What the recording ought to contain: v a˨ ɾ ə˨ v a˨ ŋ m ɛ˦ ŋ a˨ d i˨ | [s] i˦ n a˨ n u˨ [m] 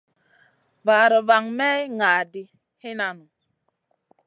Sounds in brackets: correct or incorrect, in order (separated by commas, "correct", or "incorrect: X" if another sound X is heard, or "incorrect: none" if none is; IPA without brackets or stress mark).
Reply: incorrect: h, incorrect: none